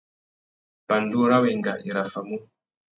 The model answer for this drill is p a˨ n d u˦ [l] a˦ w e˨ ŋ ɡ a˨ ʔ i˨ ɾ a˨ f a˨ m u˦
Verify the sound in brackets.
incorrect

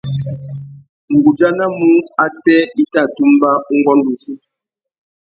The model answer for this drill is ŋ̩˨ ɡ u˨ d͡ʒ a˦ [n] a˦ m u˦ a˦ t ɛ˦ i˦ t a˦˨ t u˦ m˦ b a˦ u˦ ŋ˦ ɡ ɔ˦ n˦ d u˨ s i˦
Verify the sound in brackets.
correct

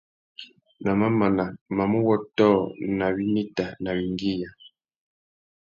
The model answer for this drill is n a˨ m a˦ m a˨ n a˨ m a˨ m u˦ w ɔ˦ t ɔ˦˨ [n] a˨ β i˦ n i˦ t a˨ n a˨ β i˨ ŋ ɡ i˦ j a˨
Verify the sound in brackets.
correct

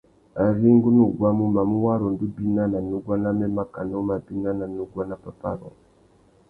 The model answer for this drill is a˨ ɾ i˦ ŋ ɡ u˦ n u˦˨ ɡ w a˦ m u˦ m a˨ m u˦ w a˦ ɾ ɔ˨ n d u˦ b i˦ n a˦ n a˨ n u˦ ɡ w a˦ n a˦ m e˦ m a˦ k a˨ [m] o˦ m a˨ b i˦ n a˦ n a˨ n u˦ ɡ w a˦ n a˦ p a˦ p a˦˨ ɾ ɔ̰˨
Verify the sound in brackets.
incorrect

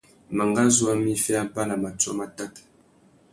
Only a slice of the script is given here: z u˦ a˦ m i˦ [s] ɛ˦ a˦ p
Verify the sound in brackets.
incorrect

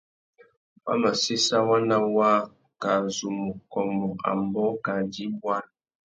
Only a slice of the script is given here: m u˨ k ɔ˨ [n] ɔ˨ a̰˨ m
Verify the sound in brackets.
incorrect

